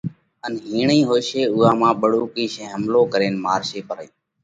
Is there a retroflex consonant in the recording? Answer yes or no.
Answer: yes